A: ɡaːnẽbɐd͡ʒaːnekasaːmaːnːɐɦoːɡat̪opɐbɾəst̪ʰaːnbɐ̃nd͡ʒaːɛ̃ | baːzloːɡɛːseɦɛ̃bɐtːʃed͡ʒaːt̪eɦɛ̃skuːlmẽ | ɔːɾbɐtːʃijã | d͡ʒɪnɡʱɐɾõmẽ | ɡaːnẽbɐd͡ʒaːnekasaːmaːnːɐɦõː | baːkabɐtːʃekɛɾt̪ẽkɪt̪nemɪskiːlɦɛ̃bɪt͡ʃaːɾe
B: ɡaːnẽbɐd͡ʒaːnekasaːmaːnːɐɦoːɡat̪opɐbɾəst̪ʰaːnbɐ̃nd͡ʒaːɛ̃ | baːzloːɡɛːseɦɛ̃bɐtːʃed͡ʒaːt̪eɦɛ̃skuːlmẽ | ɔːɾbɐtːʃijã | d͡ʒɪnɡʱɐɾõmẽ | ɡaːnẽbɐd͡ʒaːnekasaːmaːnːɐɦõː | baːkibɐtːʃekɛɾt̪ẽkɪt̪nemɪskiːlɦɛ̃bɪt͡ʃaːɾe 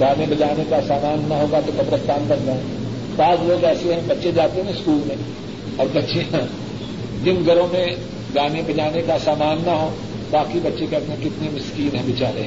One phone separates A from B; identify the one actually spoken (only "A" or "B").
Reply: B